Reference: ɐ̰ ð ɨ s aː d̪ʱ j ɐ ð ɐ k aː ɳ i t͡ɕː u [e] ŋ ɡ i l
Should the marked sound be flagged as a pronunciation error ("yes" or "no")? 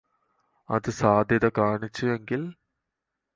no